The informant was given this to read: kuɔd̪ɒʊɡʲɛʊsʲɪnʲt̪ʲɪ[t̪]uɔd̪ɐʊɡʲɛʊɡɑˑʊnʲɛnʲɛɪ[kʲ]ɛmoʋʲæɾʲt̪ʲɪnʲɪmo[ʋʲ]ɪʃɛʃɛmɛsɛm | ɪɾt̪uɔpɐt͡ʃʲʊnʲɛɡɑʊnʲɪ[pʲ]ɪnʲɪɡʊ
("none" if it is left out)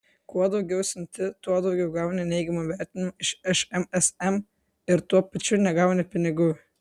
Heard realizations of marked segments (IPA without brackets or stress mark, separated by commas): t̪, ɡʲ, none, pʲ